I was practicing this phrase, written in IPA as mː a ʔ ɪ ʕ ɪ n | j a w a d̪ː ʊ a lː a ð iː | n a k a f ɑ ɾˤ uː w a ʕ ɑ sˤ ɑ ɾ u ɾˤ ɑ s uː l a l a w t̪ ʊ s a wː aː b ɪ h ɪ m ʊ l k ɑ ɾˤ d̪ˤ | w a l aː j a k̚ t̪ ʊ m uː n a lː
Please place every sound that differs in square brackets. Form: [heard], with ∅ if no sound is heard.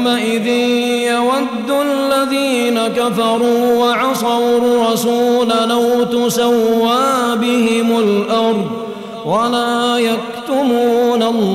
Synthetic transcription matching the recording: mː a ʔ ɪ [ð] ɪ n | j a w a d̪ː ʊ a lː a ð iː | n a k a f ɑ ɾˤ uː w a ʕ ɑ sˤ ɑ ɾ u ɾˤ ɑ s uː l a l a w t̪ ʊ s a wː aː b ɪ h ɪ m ʊ l [ʔ] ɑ ɾˤ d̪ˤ | w a l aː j a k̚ t̪ ʊ m uː n a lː